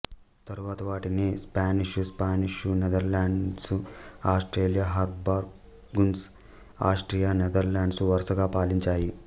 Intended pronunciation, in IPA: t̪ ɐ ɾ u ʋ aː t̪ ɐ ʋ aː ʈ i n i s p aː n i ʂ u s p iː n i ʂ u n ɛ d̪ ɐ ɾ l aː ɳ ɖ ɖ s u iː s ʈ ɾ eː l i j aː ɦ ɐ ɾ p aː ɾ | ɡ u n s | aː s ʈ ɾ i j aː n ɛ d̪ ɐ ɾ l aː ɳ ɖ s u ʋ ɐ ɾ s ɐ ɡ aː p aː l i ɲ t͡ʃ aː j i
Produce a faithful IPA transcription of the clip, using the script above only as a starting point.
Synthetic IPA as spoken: t̪ ɐ ɾ u ʋ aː t̪ ɐ ʋ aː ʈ i n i s p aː n i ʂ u s p aː n i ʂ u n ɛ d̪ ɐ ɾ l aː ɳ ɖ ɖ s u aː s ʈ ɾ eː l i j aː ɦ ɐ ɾ b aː ɾ | ɡ u n s | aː s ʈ ɾ i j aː n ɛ d̪ ɐ ɾ l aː ɳ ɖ s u ʋ ɐ ɾ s ɐ ɡ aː p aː l i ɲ t͡ʃ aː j i